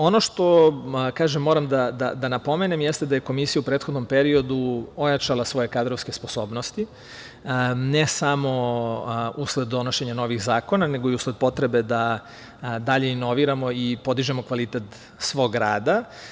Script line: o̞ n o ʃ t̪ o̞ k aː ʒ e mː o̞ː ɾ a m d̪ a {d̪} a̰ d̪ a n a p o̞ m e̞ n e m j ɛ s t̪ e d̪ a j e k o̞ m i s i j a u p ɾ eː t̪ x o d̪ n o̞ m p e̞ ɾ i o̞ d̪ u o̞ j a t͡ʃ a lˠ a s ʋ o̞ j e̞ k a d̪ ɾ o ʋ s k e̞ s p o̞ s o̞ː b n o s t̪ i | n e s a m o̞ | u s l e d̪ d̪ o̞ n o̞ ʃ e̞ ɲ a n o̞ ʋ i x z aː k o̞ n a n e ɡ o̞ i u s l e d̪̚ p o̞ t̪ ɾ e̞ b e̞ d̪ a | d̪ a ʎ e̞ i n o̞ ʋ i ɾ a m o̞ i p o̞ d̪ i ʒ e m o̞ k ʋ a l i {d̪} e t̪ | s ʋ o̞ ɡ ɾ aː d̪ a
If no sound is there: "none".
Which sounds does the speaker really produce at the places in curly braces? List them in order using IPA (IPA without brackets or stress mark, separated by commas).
d̪, t̪